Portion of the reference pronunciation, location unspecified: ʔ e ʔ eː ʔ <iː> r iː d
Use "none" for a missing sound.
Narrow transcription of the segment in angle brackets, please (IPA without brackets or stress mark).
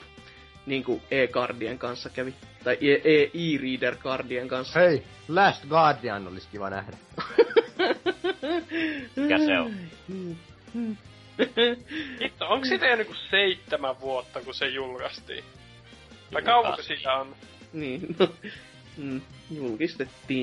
iː